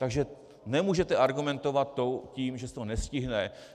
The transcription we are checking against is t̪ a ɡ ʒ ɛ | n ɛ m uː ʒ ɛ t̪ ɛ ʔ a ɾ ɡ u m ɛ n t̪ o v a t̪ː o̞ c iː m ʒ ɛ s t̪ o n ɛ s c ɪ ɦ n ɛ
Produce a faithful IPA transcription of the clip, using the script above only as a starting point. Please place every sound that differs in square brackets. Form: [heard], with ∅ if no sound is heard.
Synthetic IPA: t̪ a ɡ ʒ ɛ | n ɛ m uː ʒ ɛ t̪ ɛ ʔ a ɾ ɡ u m ɛ n t̪ o v a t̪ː o̞ c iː m ʒ ɛ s t̪ o n ɛ s c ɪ ɦ n ɛ